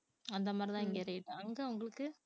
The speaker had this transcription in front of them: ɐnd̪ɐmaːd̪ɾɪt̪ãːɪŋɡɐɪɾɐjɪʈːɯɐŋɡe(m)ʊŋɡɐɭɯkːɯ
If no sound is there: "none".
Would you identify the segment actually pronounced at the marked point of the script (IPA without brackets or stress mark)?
none